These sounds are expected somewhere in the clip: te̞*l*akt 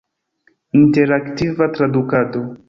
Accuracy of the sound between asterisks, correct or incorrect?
incorrect